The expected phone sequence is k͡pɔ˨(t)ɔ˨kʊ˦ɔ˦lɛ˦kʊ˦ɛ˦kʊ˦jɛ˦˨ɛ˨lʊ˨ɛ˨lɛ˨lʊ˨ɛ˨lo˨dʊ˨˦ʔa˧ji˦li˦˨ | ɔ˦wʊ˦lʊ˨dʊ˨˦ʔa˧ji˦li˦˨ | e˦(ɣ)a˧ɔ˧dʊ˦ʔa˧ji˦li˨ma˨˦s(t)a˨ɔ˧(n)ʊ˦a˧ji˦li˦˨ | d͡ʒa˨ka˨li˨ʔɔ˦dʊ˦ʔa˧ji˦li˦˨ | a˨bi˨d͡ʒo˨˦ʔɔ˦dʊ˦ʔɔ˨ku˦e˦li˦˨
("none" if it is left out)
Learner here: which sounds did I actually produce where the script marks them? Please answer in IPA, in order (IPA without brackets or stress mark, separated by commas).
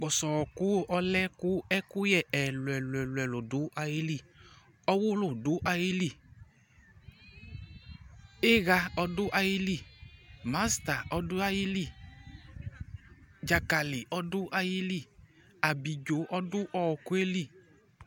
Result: s, ɣ, t, d